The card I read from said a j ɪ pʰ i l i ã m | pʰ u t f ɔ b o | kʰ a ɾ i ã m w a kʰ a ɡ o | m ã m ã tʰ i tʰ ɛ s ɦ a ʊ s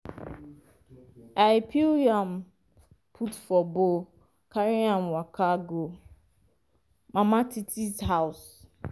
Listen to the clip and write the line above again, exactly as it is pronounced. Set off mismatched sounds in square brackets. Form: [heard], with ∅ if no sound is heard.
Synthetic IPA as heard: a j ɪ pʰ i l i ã m | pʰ u t f ɔ b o | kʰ a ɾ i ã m w a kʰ a ɡ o | m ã m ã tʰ i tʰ [i] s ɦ a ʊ s